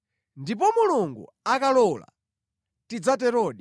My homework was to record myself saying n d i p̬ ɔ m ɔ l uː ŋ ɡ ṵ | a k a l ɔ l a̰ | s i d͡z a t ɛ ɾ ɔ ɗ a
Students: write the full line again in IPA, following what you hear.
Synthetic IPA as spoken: n d i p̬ ɔ m u l u ŋ ɡ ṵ | a k a l ɔ l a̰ | t i d͡z a t ɛ ɾ ɔ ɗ i